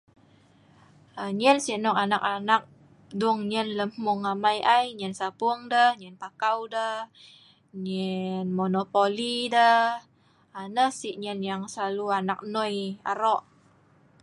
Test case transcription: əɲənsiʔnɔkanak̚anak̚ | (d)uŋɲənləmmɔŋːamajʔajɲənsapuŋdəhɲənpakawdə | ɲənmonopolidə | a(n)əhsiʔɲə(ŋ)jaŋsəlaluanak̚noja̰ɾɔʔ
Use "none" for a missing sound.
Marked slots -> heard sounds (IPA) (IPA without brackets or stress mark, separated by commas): d, n, n